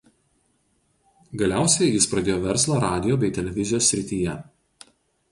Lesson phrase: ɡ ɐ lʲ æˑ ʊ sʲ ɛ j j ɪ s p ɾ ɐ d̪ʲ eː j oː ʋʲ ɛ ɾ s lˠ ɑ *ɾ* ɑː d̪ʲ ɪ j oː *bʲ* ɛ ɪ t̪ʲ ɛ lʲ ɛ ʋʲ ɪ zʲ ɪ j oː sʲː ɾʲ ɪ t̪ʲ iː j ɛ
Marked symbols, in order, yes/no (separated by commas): yes, yes